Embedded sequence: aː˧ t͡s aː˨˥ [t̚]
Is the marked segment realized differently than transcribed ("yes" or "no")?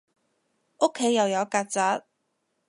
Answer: no